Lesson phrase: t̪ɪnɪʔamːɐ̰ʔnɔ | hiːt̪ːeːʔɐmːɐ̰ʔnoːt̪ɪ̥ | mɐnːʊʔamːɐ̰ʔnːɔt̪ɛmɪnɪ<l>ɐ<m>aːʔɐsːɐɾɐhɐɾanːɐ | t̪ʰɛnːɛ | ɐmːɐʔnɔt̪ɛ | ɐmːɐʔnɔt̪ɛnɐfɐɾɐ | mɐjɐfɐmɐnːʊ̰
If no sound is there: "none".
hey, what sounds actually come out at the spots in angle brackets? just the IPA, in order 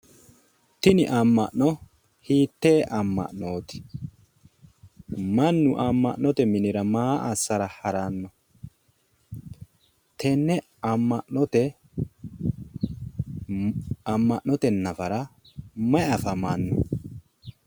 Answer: ɾ, m

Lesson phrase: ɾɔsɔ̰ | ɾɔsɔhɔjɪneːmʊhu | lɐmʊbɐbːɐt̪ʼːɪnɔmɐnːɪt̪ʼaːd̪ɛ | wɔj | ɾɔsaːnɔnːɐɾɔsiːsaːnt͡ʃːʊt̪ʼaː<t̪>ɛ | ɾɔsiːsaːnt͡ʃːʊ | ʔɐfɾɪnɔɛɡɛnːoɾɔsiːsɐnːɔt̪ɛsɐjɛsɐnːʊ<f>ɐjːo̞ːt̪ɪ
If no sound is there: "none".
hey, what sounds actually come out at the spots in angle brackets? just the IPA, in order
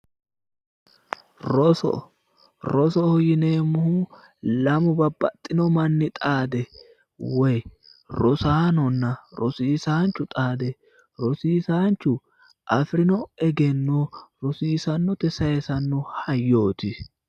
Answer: d̪, h

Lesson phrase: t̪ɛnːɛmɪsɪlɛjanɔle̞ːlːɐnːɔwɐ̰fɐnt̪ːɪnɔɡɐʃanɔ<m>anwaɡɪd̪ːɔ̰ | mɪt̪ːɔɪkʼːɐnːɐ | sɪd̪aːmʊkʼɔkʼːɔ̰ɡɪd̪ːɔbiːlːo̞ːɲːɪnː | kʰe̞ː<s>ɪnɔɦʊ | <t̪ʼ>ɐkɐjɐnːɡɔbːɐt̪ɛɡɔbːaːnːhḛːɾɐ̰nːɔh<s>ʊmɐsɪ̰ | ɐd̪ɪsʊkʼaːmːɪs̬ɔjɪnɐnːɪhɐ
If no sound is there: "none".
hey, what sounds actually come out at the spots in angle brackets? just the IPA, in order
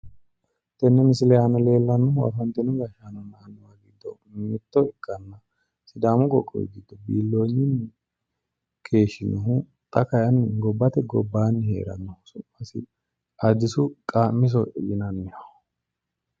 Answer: n, ʃ, t̪ʼ, s

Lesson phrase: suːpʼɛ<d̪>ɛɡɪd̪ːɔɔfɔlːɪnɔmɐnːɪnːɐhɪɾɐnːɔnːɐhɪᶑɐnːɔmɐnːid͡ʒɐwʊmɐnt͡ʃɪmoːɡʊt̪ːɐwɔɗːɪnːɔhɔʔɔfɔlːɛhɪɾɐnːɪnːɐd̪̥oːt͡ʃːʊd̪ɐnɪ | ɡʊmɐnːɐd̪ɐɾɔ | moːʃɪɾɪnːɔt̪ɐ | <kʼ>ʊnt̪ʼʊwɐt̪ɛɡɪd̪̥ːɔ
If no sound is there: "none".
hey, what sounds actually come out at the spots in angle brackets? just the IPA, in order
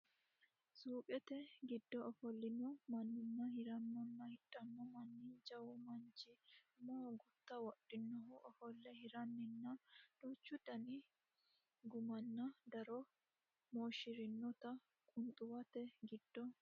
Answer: t̪, kʼ

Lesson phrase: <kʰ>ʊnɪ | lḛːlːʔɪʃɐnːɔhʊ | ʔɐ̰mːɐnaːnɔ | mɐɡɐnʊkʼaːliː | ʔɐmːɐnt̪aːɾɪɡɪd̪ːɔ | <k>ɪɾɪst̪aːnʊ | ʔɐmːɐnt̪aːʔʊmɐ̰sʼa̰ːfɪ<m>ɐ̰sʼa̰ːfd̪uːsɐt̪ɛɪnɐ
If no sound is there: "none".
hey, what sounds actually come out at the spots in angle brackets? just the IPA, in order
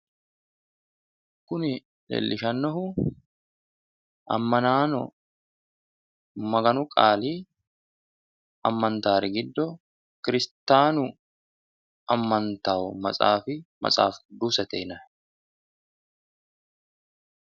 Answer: k, k, m

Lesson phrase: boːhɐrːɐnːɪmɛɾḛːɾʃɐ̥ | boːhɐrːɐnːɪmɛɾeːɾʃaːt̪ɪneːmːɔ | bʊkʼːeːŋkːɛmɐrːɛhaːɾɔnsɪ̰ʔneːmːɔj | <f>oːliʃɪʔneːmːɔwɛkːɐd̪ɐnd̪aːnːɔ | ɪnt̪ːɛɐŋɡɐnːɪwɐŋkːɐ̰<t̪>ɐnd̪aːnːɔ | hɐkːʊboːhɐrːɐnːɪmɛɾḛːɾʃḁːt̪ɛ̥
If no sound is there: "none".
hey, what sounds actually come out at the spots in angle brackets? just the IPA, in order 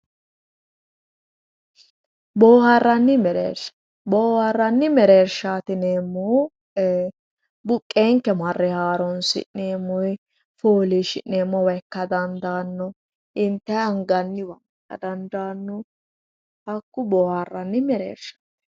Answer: f, d̪

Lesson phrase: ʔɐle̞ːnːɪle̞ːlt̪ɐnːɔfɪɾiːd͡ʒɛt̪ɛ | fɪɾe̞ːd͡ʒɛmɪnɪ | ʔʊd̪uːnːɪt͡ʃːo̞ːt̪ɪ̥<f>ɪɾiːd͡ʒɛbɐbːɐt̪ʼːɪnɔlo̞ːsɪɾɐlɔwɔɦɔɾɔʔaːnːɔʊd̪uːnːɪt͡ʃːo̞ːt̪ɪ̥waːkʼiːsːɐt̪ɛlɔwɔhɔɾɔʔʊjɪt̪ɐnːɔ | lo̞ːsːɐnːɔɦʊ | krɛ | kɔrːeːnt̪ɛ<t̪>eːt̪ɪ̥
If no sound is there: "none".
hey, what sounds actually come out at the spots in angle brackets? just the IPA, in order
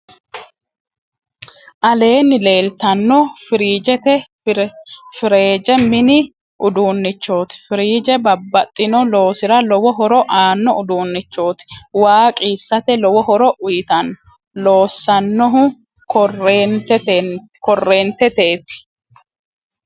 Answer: f, t̪

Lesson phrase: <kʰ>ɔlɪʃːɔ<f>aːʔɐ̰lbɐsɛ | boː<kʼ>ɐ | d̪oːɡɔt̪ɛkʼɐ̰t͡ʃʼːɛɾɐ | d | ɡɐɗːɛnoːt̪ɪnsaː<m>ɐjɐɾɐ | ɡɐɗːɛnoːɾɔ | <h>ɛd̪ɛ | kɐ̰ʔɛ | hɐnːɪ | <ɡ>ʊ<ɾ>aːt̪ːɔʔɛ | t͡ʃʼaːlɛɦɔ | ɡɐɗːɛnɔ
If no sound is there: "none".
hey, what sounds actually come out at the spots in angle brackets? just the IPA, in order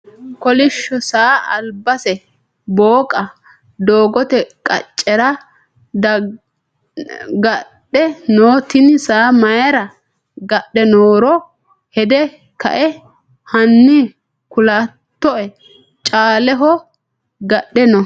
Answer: k, s, kʼ, m, h, k, l

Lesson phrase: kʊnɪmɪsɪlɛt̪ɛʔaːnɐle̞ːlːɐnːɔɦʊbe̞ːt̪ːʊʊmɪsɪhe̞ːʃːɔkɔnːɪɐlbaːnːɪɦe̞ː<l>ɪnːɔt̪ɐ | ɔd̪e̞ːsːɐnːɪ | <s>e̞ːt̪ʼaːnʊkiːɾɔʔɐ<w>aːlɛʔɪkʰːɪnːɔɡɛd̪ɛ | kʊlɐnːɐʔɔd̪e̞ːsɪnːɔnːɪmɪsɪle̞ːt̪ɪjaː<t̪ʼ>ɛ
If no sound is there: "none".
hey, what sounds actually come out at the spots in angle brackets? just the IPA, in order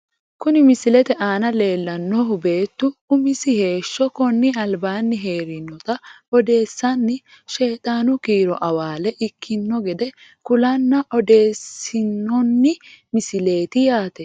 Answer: ɾ, ʃ, w, t̪

